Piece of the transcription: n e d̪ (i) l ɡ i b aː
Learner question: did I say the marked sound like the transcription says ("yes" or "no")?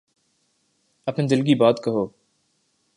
no